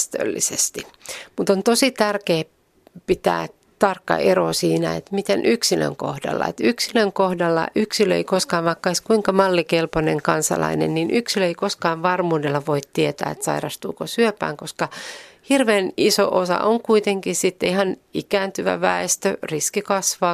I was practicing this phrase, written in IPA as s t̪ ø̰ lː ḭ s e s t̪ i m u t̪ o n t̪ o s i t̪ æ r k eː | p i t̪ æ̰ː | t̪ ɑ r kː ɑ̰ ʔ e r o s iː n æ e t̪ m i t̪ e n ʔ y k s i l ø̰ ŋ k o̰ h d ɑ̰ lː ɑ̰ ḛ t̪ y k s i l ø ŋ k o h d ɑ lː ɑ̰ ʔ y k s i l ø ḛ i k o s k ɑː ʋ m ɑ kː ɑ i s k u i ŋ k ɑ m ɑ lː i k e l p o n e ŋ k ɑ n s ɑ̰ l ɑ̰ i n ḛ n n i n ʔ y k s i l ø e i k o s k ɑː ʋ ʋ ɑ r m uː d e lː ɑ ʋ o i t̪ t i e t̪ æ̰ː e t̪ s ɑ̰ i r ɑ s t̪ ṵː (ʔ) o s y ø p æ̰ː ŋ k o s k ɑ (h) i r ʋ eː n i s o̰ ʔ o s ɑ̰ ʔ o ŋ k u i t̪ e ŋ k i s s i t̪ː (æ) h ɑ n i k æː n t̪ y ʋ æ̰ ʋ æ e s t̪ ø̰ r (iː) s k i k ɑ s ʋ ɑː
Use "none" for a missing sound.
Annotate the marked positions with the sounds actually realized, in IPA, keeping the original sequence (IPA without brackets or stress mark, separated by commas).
k, h, i, i